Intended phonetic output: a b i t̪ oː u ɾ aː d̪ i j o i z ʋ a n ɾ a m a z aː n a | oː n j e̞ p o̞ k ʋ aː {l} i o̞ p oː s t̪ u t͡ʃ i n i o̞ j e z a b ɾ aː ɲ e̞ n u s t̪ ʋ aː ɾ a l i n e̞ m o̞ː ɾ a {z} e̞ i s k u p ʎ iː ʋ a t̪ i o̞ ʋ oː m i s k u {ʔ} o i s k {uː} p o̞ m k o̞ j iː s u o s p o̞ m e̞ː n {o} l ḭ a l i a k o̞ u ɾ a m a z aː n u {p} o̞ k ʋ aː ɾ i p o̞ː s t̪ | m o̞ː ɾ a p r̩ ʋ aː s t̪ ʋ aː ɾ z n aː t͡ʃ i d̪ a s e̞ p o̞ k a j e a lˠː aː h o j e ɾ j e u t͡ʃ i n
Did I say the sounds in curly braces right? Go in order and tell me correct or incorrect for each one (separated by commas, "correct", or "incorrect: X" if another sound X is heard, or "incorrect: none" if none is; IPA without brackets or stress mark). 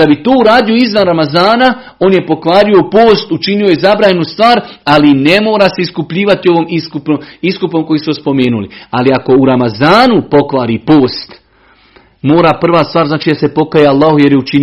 incorrect: ɾ, incorrect: s, incorrect: p, incorrect: u, incorrect: u, correct